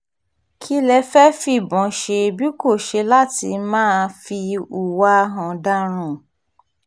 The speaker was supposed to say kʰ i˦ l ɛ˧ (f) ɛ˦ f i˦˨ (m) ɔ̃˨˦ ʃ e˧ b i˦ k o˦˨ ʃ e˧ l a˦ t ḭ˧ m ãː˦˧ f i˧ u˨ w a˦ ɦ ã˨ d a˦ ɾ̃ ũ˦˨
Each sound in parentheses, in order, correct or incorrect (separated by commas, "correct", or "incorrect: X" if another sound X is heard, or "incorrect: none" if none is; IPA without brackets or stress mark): correct, incorrect: b